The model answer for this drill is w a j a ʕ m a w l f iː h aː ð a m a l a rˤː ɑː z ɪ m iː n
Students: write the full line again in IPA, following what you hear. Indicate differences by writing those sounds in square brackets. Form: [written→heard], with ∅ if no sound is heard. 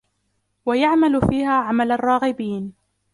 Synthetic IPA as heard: w a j a ʕ m a [w→∅] l f iː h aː [ð→ʕ] a m a l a rˤː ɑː [z→ɣ] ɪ [m→b] iː n